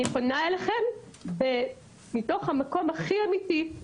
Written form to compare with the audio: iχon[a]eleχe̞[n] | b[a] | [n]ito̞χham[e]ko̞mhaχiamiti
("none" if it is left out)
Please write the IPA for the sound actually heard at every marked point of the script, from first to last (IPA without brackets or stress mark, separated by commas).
a, m, e, m, a